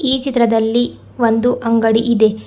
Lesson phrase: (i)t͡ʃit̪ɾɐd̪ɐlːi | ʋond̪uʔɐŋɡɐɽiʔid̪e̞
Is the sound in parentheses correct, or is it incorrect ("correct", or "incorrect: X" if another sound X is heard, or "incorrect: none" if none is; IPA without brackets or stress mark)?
incorrect: iː